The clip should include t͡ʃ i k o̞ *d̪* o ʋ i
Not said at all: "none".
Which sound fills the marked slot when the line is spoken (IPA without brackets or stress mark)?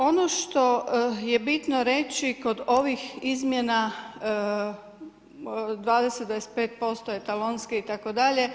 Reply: d̪